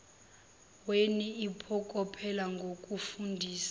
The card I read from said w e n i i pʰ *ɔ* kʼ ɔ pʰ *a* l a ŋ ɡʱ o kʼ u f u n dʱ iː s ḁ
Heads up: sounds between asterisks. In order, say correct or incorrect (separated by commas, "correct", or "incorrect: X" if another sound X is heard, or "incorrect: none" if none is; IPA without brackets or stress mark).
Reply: correct, incorrect: ɛ